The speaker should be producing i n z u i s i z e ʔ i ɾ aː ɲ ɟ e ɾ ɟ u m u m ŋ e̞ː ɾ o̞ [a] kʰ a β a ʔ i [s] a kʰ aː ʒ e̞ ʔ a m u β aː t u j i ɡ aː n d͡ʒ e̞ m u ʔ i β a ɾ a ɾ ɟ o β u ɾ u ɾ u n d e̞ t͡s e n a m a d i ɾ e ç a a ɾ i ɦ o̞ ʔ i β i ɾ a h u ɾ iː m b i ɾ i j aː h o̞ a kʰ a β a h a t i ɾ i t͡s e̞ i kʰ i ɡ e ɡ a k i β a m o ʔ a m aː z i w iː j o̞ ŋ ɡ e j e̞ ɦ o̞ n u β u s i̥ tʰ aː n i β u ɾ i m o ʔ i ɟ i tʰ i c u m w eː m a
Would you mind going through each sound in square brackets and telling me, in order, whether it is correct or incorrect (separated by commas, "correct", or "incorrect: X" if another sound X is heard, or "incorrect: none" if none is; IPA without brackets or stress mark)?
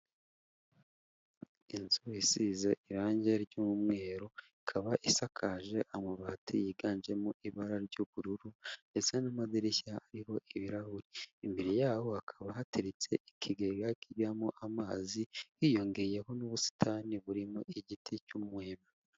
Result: incorrect: i, correct